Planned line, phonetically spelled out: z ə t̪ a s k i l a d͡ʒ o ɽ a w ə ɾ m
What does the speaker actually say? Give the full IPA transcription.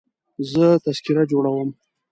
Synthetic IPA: z ə t̪ a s k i ɾ a d͡ʒ o ɽ a w ə m